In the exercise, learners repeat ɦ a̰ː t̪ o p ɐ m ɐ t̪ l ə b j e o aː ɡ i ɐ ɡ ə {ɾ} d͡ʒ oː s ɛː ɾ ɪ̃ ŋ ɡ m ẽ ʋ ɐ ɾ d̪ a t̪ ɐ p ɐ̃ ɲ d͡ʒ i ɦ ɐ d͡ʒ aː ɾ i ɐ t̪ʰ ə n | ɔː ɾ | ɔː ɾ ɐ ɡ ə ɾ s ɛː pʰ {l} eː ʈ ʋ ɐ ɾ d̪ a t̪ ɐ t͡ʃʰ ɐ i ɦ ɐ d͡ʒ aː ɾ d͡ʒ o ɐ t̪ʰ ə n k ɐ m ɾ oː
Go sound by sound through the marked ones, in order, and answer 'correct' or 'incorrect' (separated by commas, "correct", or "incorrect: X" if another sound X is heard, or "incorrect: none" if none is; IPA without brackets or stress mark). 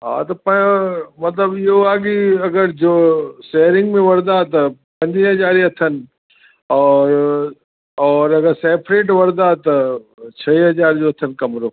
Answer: correct, incorrect: ɾ